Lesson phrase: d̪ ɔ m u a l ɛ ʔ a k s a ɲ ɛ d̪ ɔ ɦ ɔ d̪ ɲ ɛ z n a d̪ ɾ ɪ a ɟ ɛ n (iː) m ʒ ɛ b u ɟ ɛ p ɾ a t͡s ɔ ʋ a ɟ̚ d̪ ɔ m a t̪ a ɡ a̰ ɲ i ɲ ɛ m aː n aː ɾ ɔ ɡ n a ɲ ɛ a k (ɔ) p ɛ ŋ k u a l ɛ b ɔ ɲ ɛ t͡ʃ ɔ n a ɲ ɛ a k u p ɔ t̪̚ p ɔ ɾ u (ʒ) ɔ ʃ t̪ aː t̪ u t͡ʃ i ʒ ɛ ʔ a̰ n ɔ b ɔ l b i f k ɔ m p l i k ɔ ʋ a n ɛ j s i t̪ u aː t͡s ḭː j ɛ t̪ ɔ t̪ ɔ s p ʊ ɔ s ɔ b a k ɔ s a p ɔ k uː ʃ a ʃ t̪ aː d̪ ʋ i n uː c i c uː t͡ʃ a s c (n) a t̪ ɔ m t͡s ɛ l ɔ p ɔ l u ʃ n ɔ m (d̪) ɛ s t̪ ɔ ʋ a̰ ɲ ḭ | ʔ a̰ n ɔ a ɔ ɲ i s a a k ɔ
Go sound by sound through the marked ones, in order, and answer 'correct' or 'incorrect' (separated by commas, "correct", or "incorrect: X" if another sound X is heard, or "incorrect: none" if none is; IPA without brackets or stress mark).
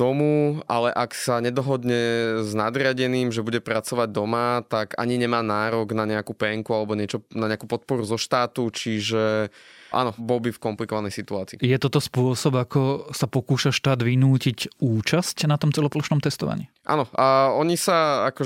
correct, incorrect: u, incorrect: z, correct, incorrect: t̪